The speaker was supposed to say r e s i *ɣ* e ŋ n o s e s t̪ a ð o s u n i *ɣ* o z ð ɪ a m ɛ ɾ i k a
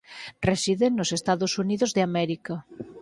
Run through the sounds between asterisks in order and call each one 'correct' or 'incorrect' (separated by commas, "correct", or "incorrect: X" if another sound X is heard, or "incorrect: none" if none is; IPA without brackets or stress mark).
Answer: incorrect: ð, incorrect: ð